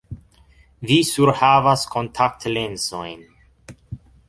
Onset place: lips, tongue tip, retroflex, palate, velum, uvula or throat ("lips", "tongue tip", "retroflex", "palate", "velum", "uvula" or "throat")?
lips